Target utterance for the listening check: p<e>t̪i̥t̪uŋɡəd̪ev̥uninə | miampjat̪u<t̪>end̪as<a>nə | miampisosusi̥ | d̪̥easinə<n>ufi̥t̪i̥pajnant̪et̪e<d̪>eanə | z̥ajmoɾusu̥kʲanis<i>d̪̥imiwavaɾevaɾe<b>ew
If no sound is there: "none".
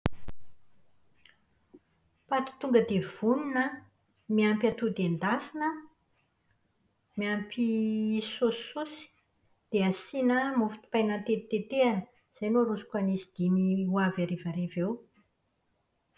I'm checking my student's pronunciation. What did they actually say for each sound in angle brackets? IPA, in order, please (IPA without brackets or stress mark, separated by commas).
a, d̪, i, m, t̪, i, v